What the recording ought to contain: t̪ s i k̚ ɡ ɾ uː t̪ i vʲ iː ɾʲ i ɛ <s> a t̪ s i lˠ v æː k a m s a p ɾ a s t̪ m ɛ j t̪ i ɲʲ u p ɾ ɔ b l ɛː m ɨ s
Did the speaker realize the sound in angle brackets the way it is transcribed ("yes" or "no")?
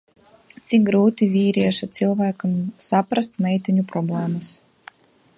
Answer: no